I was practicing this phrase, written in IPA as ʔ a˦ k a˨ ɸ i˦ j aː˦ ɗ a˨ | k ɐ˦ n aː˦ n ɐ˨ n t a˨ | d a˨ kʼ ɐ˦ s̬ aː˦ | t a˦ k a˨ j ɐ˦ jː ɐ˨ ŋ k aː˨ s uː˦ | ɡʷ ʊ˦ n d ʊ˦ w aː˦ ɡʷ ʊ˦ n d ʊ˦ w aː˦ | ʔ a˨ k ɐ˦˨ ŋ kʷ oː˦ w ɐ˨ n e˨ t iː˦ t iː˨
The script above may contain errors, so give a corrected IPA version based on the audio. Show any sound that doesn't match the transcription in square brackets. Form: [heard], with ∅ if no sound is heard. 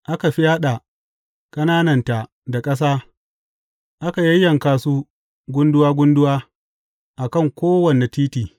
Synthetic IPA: ʔ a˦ k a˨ ɸ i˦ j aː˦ ɗ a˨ | [kʼ] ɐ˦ n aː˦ n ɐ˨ n t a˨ | d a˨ kʼ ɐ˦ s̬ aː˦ | [ʔ] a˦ k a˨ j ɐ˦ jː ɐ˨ ŋ k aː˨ s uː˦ | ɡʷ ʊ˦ n d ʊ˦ w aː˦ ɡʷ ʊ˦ n d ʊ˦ w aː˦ | ʔ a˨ k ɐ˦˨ ŋ kʷ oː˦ w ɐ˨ n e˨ t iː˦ t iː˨